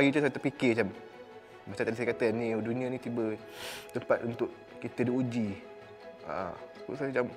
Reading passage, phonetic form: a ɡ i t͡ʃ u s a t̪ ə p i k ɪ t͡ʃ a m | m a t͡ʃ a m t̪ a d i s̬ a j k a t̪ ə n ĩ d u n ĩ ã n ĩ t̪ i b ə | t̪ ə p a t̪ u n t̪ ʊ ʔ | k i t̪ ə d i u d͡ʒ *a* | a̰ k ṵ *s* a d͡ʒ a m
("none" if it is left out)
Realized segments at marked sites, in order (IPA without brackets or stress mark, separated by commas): i, s